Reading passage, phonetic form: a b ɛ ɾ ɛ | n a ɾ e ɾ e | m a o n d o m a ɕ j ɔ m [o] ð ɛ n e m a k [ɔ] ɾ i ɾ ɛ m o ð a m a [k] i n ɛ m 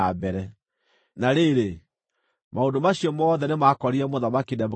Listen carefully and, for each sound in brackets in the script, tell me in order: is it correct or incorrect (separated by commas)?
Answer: incorrect, correct, correct